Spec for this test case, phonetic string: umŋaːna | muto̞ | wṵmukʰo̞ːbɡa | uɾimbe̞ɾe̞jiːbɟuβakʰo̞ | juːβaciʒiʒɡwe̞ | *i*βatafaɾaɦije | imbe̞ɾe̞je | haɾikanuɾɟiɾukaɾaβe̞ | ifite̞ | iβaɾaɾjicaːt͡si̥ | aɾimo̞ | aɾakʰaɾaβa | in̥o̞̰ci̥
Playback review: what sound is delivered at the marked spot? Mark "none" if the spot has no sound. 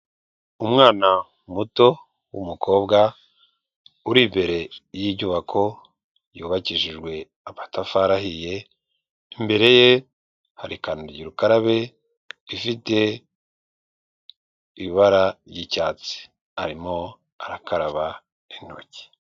a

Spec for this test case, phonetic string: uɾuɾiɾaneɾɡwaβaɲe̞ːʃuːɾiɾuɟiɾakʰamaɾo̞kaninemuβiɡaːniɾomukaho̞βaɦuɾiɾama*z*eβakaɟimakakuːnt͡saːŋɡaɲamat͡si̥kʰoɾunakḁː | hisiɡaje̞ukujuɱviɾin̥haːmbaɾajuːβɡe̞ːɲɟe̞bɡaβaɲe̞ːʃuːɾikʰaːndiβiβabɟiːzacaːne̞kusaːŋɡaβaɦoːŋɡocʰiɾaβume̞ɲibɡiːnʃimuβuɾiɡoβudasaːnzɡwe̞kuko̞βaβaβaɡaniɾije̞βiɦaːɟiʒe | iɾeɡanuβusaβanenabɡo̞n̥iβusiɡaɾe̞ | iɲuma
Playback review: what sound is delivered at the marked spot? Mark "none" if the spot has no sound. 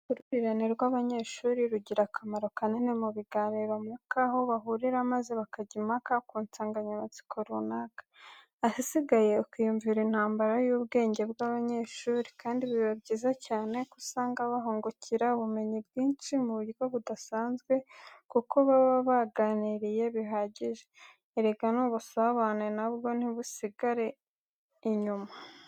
z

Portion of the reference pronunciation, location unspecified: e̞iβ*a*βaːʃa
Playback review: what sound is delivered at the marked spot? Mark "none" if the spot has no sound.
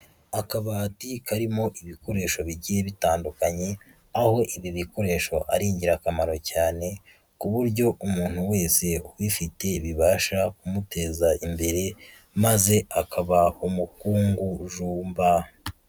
i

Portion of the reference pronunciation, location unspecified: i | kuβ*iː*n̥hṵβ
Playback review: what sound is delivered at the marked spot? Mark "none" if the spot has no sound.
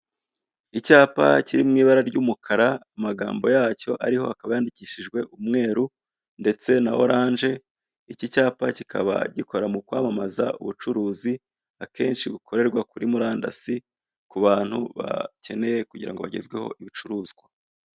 aː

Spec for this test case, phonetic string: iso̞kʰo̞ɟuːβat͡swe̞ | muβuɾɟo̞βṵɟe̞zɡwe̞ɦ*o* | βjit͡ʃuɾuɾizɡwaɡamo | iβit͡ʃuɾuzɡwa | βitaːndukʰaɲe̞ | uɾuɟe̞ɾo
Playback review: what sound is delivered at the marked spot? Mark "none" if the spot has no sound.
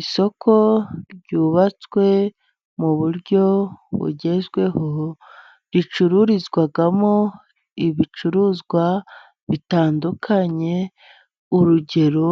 o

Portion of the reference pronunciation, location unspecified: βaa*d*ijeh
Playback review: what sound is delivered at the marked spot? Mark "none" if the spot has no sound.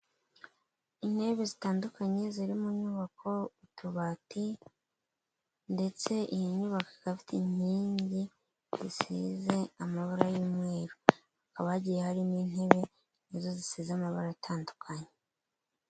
ɟ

